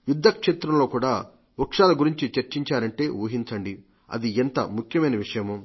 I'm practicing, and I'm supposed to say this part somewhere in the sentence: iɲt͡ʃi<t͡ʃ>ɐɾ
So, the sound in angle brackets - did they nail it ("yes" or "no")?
yes